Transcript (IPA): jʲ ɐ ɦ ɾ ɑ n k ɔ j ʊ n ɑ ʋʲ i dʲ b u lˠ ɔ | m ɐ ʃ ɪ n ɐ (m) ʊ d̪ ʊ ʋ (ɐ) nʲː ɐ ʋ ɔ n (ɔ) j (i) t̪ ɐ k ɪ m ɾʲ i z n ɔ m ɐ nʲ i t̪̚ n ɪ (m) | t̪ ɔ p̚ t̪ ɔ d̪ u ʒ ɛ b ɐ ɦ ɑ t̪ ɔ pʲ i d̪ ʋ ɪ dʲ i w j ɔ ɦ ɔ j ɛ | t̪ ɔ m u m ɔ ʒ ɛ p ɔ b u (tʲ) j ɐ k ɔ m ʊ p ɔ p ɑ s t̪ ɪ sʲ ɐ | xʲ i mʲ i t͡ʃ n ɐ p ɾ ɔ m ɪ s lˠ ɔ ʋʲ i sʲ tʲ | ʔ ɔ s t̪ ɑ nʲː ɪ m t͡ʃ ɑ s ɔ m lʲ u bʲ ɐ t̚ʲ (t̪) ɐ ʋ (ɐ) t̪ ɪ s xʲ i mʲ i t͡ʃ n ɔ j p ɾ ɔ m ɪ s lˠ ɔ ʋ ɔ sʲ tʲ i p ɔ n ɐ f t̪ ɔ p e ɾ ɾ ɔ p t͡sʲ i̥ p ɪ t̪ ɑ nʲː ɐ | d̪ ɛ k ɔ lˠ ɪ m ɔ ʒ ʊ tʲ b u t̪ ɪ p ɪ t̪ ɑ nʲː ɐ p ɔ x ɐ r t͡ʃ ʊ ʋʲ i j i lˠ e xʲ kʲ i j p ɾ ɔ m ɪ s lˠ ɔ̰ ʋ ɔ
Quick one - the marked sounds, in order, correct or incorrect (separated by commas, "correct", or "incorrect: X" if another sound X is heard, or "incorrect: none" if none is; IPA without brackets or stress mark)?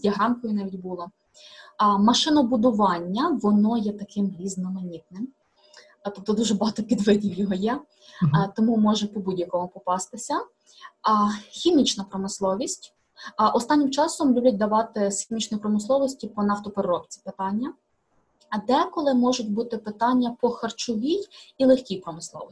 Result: incorrect: b, incorrect: ɑ, correct, incorrect: ɛ, correct, incorrect: dʲ, incorrect: d̪, incorrect: ɑ